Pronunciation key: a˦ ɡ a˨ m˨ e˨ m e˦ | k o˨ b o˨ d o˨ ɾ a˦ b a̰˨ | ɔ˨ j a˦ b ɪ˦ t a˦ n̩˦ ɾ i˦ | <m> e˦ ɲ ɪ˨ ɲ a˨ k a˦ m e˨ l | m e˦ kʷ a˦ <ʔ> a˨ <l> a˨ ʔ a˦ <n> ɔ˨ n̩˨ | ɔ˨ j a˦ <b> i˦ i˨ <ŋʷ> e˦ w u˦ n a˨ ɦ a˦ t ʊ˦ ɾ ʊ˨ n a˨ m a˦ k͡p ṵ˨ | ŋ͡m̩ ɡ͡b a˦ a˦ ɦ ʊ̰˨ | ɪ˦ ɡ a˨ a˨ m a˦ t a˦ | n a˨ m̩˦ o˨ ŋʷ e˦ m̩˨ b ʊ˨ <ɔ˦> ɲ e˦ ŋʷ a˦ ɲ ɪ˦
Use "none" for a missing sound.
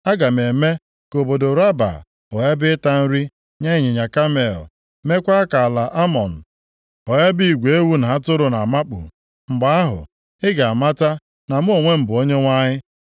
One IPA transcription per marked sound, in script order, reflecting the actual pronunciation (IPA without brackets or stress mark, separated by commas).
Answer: ɲ, k, l, m, b, ɡʷ, o˦